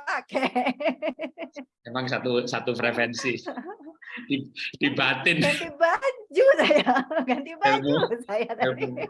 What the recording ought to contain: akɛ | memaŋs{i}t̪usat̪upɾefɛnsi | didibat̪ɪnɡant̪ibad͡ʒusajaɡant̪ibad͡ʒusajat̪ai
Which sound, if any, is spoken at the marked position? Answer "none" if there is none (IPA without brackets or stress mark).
a